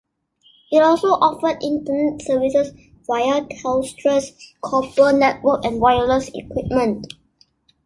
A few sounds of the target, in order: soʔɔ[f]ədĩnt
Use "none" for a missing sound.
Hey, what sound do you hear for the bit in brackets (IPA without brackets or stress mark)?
f